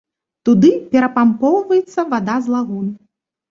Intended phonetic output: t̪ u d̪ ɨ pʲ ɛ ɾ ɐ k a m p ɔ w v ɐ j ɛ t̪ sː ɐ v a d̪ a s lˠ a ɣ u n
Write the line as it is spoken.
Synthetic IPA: t̪ u d̪ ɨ pʲ ɛ ɾ ɐ p a m p ɔ w v ɐ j ɛ t̪ sː ɐ v a d̪ a z lˠ a ɣ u n

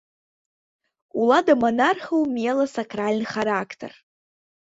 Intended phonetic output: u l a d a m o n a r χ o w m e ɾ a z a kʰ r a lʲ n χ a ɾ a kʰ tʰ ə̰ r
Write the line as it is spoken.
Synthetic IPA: u l a d a m o n a r χ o w m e l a s a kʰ r a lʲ n χ a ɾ a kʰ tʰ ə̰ r

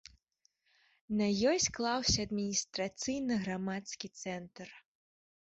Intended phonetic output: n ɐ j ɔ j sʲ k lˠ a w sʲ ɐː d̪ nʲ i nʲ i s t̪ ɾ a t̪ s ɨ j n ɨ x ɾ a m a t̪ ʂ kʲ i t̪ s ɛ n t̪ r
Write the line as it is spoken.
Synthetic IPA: n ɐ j ɔ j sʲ k lˠ a w sʲ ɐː d̪ mʲ i nʲ i s t̪ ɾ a t̪ s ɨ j n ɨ ɣ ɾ a m a t̪ s kʲ i t̪ s ɛ n t̪ r

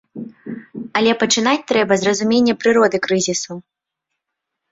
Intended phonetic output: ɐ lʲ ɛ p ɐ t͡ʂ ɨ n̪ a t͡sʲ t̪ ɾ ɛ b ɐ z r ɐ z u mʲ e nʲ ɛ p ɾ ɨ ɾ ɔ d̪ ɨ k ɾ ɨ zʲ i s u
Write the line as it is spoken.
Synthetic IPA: ɐ lʲ ɛ p ɐ t͡ʂ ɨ n̪ a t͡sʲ t̪ ɾ ɛ b ɐ z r ɐ z u mʲ e nʲː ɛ p ɾ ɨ ɾ ɔ d̪ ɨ k ɾ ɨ zʲ i s u

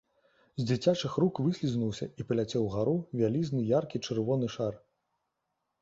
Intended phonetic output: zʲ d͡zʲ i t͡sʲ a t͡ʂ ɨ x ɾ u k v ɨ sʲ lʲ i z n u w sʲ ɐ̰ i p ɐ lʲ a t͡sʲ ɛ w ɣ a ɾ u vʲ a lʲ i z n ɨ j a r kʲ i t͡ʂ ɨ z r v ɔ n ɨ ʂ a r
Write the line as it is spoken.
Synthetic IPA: zʲ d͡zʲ i t͡sʲ a t͡ʂ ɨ x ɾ u k v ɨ sʲ lʲ i z n u w sʲ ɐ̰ i p ɐ lʲ a t͡sʲ ɛ w ɣ a ɾ u vʲ a lʲ i z n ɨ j a r kʲ i t͡ʂ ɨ r v ɔ n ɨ ʂ a r

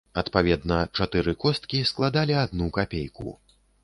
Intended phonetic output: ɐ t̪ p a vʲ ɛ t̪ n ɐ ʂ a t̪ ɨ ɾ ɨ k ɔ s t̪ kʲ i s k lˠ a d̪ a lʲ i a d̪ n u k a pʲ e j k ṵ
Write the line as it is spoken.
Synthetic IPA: ɐ t̪ p a vʲ ɛ d̪ n ɐ t͡ʂ a t̪ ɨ ɾ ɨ k ɔ s t̪ kʲ i s k lˠ a d̪ a lʲ i a d̪ n u k a pʲ e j k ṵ

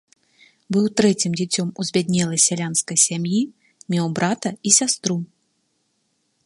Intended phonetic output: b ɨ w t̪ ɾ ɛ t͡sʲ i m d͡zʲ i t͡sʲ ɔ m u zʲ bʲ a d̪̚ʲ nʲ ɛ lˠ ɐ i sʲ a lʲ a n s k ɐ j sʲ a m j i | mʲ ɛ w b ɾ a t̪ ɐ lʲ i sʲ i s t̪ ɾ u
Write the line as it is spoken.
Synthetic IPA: b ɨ w t̪ ɾ ɛ t͡sʲ i m d͡zʲ i t͡sʲ ɔ m u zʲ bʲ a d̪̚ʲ nʲ ɛ lˠ ɐ j sʲ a lʲ a n s k ɐ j sʲ a m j i | mʲ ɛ w b ɾ a t̪ ɐ i sʲ a s t̪ ɾ u

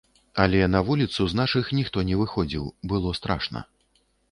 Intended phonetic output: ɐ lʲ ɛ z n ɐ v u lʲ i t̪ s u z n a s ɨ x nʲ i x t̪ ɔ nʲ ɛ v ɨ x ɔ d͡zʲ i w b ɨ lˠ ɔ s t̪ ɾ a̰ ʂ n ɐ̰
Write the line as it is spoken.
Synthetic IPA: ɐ lʲ ɛ n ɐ v u lʲ i t̪ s u z n a ʂ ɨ x nʲ i x t̪ ɔ nʲ ɛ v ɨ x ɔ d͡zʲ i w b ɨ lˠ ɔ s t̪ ɾ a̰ ʂ n ɐ̰

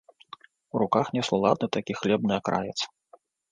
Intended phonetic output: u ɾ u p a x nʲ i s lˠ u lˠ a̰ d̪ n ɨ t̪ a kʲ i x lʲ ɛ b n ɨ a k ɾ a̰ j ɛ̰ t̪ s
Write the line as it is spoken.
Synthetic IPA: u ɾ u k a x nʲ ɛ s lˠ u lˠ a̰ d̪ n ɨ t̪ a kʲ i x lʲ ɛ b n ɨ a k ɾ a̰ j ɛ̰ t̪ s

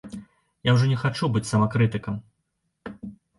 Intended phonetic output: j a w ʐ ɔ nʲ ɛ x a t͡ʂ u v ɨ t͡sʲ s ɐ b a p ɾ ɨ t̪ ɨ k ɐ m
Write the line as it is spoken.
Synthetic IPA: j a w ʐ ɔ nʲ ɛ x a t͡ʂ u b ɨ t͡sʲ s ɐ m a k ɾ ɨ t̪ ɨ k ɐ m

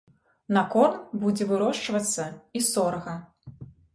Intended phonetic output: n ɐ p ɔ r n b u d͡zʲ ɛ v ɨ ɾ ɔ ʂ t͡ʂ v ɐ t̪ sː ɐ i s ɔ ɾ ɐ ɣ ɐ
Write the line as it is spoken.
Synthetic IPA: n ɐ k ɔ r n b u d͡zʲ ɛ v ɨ ɾ ɔ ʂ t͡ʂ v ɐ t̪ sː ɐ i s ɔ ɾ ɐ ɣ ɐ

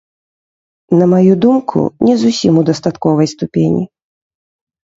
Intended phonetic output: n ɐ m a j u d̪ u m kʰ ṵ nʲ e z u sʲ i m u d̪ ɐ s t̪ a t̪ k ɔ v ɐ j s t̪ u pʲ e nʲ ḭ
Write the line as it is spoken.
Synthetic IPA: n ɐ m a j u d̪ u m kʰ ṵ nʲ ɛ z u sʲ i m u d̪ ɐ s t̪ a t̪ k ɔ v ɐ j s t̪ u pʲ e nʲ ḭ

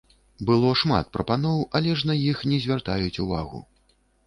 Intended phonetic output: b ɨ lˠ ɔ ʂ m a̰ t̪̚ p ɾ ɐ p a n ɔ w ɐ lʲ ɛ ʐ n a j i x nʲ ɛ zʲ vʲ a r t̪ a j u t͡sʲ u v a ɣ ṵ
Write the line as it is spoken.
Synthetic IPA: b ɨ lˠ ɔ ʂ m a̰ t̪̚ p ɾ ɐ p a n ɔ w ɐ lʲ ɛ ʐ n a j i x nʲ ɛ zʲ vʲ a r t̪ a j u t͡sʲ u v a ɣ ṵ

